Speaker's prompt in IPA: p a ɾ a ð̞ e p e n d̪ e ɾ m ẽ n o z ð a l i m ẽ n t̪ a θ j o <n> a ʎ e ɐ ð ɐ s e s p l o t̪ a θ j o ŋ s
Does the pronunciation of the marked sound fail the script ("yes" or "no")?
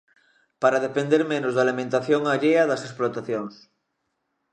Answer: yes